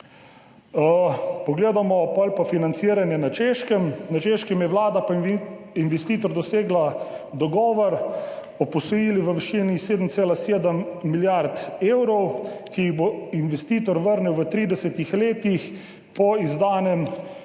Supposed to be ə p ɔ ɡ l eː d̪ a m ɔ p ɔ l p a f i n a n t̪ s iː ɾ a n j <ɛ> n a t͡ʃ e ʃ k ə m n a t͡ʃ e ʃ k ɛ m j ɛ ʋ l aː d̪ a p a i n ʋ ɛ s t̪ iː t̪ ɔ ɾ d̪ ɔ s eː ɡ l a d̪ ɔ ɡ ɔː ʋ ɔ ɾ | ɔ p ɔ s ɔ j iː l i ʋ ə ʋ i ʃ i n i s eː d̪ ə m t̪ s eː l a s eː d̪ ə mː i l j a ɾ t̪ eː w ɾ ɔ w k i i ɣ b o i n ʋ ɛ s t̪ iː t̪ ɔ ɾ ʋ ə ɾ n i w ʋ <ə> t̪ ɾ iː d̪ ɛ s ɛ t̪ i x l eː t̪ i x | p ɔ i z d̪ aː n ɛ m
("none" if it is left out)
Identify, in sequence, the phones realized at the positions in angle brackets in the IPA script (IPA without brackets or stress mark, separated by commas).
ɛ, ə